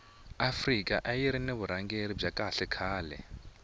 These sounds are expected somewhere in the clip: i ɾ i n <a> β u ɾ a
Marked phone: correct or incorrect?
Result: incorrect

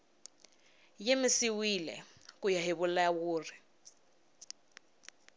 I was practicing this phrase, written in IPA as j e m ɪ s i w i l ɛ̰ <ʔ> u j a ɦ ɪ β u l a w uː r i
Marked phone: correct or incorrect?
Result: incorrect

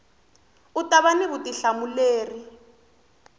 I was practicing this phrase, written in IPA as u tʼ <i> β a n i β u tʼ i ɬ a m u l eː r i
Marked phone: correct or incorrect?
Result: incorrect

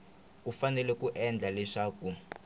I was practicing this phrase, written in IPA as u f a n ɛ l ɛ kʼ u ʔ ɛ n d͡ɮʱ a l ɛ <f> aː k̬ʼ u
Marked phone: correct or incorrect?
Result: incorrect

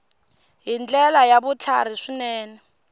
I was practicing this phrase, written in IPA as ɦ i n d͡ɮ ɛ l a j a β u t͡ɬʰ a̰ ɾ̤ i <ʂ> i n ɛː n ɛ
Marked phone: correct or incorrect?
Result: correct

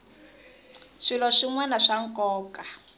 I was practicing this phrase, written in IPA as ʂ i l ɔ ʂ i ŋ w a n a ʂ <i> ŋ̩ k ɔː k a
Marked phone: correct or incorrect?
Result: incorrect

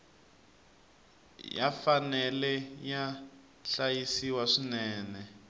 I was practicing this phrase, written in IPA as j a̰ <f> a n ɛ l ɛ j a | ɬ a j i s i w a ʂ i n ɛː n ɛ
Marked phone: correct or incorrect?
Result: correct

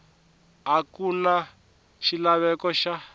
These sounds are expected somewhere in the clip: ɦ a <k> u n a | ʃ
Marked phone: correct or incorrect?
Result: correct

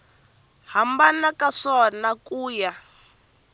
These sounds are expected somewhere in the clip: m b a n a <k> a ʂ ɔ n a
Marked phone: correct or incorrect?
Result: correct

